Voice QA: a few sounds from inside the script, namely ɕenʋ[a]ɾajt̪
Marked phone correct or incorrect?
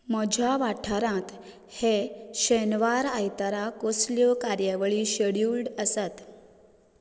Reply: correct